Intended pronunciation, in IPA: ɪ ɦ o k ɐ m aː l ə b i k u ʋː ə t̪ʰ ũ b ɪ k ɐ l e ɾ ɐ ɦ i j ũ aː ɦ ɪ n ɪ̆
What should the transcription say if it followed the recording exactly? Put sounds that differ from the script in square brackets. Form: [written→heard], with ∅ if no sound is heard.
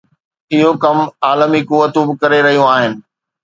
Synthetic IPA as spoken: ɪ ɦ o k ɐ m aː l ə [b→m] i k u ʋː ə [t̪ʰ→t̪] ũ b ɪ k ɐ [l→ɾ] e ɾ ɐ ɦ i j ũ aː ɦ ɪ n ɪ̆